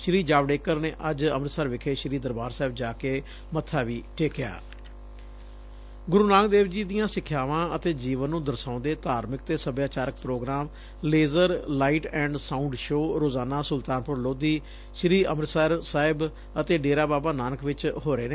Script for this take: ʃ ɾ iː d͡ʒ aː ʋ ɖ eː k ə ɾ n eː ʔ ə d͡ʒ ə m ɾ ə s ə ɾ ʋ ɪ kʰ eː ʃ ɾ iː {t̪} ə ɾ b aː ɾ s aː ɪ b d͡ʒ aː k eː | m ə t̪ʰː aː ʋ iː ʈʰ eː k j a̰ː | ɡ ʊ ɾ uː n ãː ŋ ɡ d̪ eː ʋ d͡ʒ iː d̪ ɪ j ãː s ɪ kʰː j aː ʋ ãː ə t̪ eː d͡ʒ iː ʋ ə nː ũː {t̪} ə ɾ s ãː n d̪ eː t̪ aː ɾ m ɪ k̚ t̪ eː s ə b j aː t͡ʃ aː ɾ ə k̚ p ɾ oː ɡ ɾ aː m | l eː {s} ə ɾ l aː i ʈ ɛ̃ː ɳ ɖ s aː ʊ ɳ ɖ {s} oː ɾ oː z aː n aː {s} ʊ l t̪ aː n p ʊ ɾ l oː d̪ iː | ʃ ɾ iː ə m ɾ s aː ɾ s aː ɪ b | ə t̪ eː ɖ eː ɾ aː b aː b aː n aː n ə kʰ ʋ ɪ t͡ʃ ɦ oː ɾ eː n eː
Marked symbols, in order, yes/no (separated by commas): no, no, no, no, yes